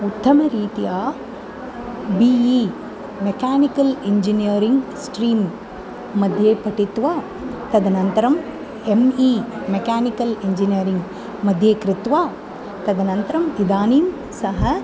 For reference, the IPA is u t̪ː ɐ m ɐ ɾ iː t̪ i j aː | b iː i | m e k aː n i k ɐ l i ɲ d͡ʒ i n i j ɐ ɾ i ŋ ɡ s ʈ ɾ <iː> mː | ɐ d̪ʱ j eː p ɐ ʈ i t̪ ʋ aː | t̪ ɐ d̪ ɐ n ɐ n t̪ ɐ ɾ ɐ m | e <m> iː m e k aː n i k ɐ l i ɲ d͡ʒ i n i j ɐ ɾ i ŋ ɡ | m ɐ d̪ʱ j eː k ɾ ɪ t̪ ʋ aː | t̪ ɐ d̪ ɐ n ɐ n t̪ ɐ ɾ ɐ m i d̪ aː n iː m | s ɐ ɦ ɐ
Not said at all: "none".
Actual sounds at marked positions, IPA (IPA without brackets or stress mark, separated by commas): iː, m